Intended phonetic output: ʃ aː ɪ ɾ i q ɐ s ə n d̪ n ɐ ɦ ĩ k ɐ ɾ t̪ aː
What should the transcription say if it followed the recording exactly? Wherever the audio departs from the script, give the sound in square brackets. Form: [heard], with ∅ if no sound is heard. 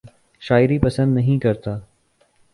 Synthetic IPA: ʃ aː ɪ ɾ i [p] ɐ s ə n d̪ n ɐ ɦ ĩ k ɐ ɾ t̪ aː

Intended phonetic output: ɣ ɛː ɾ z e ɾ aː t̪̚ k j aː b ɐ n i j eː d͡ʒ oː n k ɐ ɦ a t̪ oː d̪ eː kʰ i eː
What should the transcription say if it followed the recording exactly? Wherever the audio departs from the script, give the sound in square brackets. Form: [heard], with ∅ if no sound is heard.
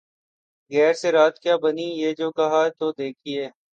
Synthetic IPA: ɣ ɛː ɾ [s] e ɾ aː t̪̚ k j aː b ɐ n i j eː d͡ʒ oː [∅] k ɐ ɦ a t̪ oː d̪ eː kʰ i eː

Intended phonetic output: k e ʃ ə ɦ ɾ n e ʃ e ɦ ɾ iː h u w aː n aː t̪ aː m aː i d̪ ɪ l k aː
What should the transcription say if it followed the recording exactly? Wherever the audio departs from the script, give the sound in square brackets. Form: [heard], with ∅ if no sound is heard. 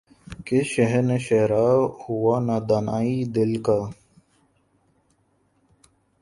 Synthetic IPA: k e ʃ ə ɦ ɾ n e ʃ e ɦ ɾ [aː] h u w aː n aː [d̪] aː [n] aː i d̪ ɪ l k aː

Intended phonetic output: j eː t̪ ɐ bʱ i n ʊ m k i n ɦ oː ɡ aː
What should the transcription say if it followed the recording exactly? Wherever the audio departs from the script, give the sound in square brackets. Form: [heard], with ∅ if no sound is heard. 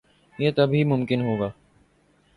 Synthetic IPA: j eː t̪ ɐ bʱ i [m] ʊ m k [ɪ] n ɦ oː ɡ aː

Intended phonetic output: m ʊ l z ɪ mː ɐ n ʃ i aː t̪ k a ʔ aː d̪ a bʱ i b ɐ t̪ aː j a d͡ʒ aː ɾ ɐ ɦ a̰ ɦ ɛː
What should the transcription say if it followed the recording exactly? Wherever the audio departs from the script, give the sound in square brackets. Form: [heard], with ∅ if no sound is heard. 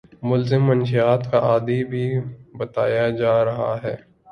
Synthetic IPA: m ʊ l z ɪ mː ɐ n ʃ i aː t̪ k a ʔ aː d̪ [i] bʱ i b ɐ t̪ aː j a d͡ʒ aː ɾ ɐ ɦ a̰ ɦ ɛː

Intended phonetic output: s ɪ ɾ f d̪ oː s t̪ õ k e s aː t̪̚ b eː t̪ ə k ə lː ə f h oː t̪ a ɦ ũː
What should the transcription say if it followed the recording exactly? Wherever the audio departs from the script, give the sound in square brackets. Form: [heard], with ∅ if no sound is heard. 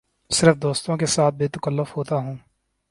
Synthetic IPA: s ɪ ɾ f d̪ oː s t̪ õ k e s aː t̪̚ b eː t̪ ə k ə lː ə f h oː t̪ a ɦ ũː

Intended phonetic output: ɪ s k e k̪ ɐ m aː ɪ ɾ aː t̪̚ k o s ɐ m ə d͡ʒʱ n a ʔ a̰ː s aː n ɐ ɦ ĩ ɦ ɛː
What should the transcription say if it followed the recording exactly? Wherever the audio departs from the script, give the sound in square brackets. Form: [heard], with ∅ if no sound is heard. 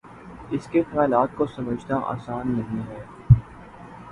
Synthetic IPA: ɪ s k e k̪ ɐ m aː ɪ [l] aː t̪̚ k o s ɐ m ə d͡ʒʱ n a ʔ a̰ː s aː [nː] ɐ ɦ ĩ ɦ ɛː

